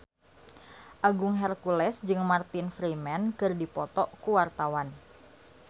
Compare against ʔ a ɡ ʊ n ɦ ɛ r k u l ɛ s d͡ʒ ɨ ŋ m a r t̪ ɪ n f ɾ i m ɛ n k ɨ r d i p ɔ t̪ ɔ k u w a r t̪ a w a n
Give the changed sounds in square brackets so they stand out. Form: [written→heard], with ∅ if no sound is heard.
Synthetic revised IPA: ʔ a ɡ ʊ [n→ŋ] ɦ ɛ r k u l ɛ s d͡ʒ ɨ ŋ m a r t̪ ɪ n f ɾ i m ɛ n k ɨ r d i p ɔ t̪ ɔ k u w a r t̪ a w a n